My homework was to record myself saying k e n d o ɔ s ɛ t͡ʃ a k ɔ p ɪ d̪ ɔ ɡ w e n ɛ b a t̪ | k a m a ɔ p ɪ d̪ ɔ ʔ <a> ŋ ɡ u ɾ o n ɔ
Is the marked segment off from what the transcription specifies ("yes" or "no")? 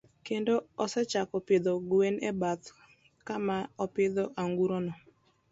no